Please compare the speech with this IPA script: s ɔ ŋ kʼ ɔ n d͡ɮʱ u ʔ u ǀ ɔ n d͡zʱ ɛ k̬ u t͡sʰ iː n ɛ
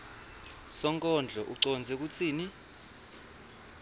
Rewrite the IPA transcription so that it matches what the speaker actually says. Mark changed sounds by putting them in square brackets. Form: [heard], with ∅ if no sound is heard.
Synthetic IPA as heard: s ɔ ŋ kʼ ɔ n d͡ɮʱ [ɔ] ʔ u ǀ ɔ n d͡zʱ ɛ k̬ u t͡sʰ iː n [i]